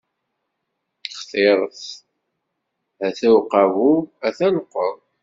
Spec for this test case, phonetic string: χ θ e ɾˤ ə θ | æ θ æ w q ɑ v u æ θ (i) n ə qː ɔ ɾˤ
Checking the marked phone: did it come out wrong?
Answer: yes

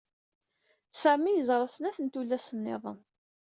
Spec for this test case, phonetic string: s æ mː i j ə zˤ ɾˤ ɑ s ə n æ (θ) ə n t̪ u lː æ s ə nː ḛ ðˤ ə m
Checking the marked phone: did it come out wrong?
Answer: no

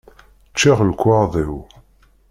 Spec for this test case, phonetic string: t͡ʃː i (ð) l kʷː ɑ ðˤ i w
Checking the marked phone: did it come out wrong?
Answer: yes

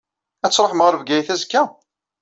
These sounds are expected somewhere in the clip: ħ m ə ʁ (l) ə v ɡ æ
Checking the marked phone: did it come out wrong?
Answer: yes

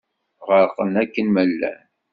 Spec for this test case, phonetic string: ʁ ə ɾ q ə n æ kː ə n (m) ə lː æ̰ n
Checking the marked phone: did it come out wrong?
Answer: no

